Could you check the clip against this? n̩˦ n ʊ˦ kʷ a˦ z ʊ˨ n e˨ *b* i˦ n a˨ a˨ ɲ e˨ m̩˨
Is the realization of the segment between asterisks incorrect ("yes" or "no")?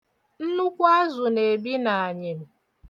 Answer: no